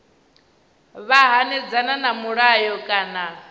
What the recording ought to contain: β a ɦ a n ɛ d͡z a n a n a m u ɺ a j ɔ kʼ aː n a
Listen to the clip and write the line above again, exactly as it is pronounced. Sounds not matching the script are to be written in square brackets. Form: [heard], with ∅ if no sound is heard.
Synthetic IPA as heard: β a ɦ a n ɛ d͡z a n a n a m u ɺ a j ɔ kʼ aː n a